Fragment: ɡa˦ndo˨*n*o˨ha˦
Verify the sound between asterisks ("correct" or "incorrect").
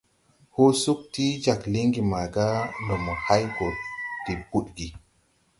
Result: incorrect